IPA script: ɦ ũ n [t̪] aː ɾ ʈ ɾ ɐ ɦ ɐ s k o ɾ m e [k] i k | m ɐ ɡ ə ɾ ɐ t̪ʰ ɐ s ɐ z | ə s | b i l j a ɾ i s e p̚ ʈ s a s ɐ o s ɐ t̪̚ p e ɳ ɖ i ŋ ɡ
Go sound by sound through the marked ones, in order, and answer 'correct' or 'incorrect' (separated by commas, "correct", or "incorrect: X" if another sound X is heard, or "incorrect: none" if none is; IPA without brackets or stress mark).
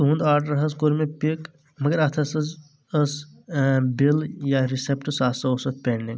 incorrect: d̪, incorrect: p